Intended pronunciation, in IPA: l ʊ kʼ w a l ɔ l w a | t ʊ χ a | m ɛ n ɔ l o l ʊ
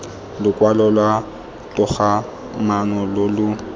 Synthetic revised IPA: l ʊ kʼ w a l ɔ l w a | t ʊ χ a | m a n ɔ l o l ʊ